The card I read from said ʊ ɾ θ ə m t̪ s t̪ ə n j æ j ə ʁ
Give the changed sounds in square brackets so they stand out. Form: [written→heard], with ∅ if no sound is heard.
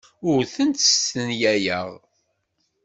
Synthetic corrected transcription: ʊ ɾ θ ə [m→n] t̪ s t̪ ə n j æ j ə ʁ